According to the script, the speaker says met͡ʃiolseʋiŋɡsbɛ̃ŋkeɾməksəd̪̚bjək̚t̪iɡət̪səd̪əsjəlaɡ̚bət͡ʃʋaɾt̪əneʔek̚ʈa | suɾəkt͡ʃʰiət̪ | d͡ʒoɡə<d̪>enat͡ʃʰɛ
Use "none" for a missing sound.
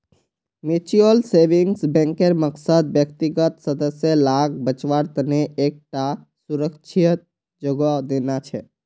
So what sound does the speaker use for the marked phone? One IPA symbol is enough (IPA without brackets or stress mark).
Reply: d̪